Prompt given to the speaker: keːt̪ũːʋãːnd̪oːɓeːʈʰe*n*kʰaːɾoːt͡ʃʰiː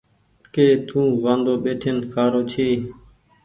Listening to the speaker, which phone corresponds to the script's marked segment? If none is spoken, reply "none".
n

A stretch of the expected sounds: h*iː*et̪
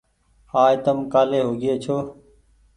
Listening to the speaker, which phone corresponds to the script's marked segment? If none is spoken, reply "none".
aː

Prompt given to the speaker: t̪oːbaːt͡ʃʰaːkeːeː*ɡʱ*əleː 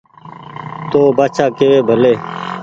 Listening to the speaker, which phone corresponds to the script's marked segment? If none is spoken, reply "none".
bʱ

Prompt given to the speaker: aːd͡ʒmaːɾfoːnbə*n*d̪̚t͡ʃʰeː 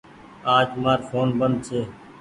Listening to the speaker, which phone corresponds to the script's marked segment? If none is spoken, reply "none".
n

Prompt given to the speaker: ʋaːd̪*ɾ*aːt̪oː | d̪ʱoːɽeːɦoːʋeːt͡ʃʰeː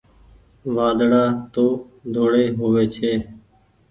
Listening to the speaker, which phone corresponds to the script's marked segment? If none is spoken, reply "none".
ɽ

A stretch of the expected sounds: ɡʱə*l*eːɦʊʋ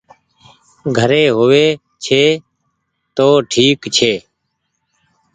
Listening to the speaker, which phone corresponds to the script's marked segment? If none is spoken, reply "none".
ɾ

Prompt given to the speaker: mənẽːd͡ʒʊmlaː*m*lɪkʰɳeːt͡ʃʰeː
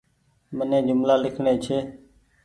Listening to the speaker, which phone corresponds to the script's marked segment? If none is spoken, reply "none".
none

